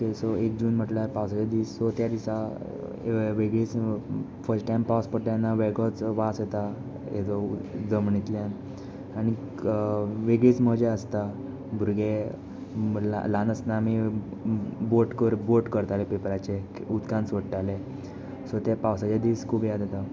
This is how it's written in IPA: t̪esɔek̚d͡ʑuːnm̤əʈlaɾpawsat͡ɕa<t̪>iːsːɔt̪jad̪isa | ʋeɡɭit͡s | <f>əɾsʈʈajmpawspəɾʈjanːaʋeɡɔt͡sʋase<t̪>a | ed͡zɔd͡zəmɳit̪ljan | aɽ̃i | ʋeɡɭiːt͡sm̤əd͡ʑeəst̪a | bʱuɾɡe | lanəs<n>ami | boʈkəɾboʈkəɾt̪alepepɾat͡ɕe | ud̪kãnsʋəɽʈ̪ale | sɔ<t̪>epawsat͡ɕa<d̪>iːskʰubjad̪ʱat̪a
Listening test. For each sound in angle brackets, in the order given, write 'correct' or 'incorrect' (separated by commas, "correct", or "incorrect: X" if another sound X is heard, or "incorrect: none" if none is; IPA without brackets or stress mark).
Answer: incorrect: d̪, correct, correct, correct, correct, correct